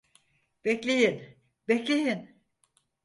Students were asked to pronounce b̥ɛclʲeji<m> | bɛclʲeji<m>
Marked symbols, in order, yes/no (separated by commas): no, no